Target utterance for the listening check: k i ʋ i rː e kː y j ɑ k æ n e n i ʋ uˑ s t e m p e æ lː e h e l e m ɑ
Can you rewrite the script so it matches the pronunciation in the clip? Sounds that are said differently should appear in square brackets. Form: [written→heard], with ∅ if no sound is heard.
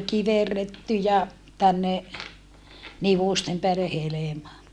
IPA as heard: k i ʋ [i→e] rː e [kː→tː] y j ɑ [k→t] æ [n→nː] e n i ʋ uˑ s t e m p e æ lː e h e l e m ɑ